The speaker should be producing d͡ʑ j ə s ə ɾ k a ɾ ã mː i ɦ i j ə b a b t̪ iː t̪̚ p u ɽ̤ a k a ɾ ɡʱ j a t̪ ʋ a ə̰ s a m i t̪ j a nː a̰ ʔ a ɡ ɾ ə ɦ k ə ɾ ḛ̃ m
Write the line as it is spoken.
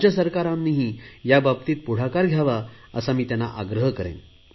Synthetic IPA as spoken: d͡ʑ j ə s ə ɾ k a ɾ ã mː i ɦ i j a b a b t̪ iː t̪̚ p u ɽ̤ a k a ɾ ɡʱ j a ʋ a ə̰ s a m iː t̪ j a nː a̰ ʔ a ɡ ɾ ə ɦ k ə ɾ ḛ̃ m

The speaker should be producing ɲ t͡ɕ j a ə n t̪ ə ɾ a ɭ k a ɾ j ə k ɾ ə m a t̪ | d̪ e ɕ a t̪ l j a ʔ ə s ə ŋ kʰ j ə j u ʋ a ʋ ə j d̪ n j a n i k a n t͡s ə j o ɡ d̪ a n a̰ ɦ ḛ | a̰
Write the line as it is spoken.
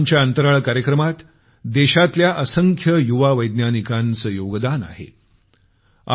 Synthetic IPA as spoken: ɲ t͡ɕ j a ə n t̪ ə ɾ a ɭ k a ɾ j ə k ɾ ə m a t̪ | d̪ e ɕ a t̪ l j a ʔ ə s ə ŋ kʰ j ə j u ʋ a ʋ ə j d̪ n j a n i k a n t͡s ə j o ɡ d̪ a n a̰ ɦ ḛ | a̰

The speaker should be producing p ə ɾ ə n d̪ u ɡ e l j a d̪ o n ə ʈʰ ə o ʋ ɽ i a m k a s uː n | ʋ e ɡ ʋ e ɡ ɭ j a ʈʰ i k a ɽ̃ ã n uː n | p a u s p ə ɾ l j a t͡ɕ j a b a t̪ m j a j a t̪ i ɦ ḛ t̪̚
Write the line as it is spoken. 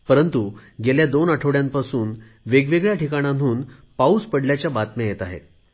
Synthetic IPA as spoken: p ə ɾ ə n t̪ u ɡ e l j a d̪ o n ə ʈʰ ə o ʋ ɽ j a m p a s uː n | ʋ e ɡ ʋ e ɡ ɭ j a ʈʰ i k a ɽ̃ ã n uː n | p a u s p ə ɽ l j a t͡ɕ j a b a t̪ m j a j e t̪ a ɦ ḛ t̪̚

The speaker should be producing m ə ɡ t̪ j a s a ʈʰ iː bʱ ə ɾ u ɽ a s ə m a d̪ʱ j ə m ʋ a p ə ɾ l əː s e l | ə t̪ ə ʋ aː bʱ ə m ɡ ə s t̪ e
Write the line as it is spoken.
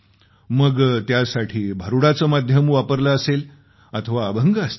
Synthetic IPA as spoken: m ə ɡ t̪ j a s a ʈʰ iː bʱ ə ɾ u ɽ a t͡s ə m a d̪ʱ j ə m ʋ a p ə ɾ l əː s e l | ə t̪ʰ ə ʋ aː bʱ ə ŋ ɡ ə s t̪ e

